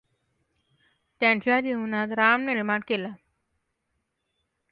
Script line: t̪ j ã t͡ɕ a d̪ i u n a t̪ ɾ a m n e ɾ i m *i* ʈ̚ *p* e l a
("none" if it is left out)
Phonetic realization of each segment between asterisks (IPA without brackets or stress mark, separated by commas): a, k